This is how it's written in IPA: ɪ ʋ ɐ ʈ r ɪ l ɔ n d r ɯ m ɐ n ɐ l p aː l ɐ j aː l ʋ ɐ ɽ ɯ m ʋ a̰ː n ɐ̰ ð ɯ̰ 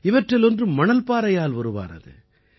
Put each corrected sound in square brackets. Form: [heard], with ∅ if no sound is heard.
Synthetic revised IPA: ɪ ʋ ɐ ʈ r ɪ l ɔ n d r ɯ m ɐ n ɐ l p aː [ɾ] ɐ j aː l ʋ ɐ [ɾ] ɯ [∅] ʋ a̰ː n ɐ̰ ð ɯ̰